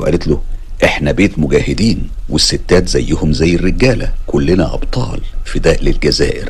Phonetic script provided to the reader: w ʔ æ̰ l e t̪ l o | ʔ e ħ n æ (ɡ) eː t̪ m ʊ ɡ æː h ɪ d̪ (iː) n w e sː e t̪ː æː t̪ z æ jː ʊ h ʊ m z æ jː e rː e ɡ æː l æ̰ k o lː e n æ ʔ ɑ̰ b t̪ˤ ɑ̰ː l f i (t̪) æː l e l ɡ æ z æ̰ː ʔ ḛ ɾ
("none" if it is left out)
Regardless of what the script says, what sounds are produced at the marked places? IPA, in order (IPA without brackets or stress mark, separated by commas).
b, iː, d̪